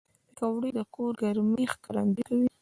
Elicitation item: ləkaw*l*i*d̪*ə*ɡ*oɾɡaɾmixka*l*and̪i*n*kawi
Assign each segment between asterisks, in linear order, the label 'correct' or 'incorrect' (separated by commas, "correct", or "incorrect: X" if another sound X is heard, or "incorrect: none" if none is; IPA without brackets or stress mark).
incorrect: ɽ, correct, incorrect: k, incorrect: ɾ, incorrect: none